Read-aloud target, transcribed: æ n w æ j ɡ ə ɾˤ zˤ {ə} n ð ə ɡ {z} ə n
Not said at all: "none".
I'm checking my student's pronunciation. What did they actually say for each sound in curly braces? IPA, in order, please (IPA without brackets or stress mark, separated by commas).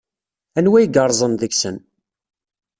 ə, s